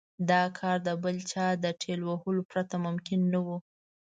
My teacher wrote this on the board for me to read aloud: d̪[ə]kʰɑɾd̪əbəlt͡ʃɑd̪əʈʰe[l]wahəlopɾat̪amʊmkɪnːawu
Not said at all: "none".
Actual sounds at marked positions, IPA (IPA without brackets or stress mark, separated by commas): ɑ, l